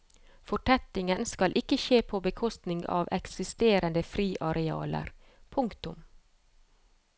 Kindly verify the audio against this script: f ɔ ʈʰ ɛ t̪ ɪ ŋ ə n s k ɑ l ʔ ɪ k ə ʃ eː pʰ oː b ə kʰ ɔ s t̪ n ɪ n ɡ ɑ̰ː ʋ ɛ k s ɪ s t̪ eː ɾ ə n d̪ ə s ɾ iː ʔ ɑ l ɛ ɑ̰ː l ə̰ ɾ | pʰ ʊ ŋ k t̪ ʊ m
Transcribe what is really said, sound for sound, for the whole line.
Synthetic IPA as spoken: f ɔ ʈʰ ɛ t̪ ɪ ŋ ə n s k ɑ l ʔ ɪ k ə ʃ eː pʰ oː b ə kʰ ɔ s t̪ n ɪ ŋ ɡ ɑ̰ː ʋ ɛ k s ɪ s t̪ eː ɾ ə n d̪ ə f ɾ iː ʔ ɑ ɾ ɛ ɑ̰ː l ə̰ ɾ | pʰ ʊ ŋ k t̪ ʊ m

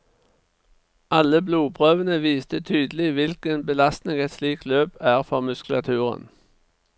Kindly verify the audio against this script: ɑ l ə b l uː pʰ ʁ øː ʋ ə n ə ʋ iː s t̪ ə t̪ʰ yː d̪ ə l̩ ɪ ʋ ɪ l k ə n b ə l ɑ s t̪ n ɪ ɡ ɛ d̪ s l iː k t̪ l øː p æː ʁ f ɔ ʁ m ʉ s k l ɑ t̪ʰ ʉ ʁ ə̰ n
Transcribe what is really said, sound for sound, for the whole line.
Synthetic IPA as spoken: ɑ l ə b l uː pʰ ʁ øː ʋ ə n ə ʋ iː s t̪ ə t̪ʰ yː d̪ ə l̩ ɪ ʋ ɪ l k ə n b ə l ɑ s t̪ n ɪ ŋ ɛ t̪ s l iː k t̪ l øː p æː ʁ f ɔ ʁ m ʉ s k l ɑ t̪ʰ ʉː ʁ ə̰ n

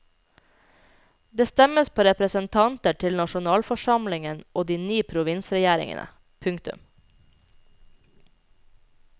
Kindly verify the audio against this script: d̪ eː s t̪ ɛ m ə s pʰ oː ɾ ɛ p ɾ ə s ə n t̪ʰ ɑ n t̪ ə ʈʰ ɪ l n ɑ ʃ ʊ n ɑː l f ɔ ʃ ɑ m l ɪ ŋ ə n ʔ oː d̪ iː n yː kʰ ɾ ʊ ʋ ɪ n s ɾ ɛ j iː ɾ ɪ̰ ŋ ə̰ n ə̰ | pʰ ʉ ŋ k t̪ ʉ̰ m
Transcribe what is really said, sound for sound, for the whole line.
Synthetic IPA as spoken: d̪ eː s t̪ ɛ m ə s pʰ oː ɾ ɛ p ɾ ə s ə n t̪ʰ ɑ n t̪ ə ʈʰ ɪ l n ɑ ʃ ʊ n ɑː l f ɔ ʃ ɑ m l ɪ ŋ ə n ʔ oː d̪ iː n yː pʰ ɾ ʊ ʋ ɪ n s ɾ ɛ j æː ɾ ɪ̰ ŋ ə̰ n ə̰ | pʰ ʉ ŋ k t̪ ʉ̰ m

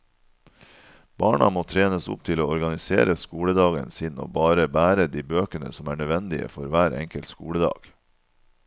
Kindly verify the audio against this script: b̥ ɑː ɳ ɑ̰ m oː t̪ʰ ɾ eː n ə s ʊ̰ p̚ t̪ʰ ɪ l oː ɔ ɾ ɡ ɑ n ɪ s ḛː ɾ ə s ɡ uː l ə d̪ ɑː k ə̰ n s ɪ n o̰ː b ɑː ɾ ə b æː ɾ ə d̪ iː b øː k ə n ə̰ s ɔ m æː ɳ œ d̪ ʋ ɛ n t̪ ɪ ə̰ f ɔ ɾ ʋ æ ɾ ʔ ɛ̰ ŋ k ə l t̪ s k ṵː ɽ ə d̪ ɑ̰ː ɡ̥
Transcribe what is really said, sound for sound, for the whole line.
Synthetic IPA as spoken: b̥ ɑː ɳ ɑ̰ m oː t̪ʰ ɾ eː n ə s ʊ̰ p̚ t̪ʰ ɪ l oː ɔ ɾ ɡ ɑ n ɪ s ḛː ɾ ə s k uː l ə d̪ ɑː ɡ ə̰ n s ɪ n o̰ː b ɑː ɾ ə b æː ɾ ə d̪ iː b øː k ə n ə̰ s ɔ m æː ɳ œ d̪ ʋ ɛ n d̪ ɪ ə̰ f ɔ ɾ ʋ æː ɾ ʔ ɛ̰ ŋ k ə l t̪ s k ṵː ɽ ə d̪ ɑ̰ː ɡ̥

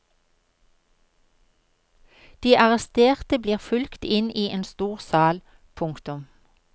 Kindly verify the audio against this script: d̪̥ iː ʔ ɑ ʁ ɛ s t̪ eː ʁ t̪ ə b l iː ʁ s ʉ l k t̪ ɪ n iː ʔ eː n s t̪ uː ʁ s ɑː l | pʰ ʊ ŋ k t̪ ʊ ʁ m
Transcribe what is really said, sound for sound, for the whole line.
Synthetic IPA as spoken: d̪̥ iː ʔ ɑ ʁ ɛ s t̪ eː ʁ t̪ ə b l iː ʁ f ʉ l k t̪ ɪ n iː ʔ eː n s t̪ uː ʁ s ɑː l | pʰ ʊ ŋ k t̪ ʊ m

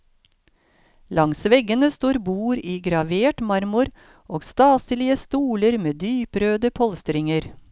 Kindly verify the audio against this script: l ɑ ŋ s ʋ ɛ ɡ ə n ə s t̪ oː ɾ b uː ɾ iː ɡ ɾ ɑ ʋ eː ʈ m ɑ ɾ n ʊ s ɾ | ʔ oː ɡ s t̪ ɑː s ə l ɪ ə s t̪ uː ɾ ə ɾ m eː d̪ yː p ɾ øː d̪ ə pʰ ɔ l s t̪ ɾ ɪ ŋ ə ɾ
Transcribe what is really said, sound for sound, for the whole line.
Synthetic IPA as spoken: l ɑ ŋ s ʋ ɛ ɡ ə n ə s t̪ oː ɾ b uː ɾ iː ɡ ɾ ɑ ʋ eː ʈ m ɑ ɾ m ʊ ɾ | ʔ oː ɡ s t̪ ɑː s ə l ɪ ə s t̪ uː l ə ɾ m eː d̪ yː p ɾ øː d̪ ə pʰ ɔ l s t̪ ɾ ɪ ŋ ə ɾ

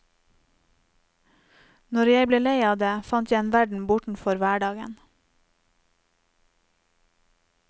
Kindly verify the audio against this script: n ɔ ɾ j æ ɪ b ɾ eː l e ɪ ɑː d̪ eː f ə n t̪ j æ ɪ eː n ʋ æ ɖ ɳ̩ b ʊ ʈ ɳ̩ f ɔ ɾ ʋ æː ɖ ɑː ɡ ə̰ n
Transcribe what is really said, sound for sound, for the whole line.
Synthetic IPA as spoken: n ɔ ɾ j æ ɪ b l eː l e ɪ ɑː d̪ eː f ɑ n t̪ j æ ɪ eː n ʋ æ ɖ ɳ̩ b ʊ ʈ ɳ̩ f ɔ ɾ ʋ æː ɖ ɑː ɡ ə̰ n

